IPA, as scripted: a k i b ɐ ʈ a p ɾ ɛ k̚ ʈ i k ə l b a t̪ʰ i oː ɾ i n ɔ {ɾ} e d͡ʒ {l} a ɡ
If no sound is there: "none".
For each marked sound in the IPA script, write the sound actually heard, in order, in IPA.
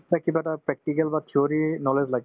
l, l

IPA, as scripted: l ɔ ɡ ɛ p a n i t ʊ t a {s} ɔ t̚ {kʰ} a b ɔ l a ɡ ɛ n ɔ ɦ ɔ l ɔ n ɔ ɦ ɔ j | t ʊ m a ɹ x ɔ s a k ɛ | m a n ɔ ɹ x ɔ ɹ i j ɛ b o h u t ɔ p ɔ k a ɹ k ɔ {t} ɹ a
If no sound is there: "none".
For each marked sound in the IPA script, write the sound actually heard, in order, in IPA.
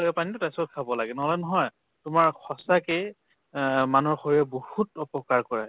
s, kʰ, none

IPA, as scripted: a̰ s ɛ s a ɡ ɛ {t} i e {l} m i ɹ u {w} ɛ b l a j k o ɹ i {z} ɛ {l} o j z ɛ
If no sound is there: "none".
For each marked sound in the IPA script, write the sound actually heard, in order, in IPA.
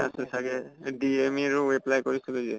d, none, w, s, l

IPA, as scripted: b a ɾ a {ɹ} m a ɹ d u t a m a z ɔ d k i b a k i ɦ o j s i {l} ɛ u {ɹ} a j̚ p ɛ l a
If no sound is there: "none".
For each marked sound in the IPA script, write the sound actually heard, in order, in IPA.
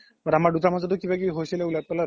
none, l, l

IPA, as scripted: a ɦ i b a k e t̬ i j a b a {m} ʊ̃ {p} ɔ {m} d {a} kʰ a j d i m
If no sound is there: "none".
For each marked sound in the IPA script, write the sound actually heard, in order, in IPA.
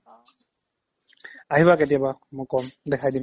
m, k, m, ɛ

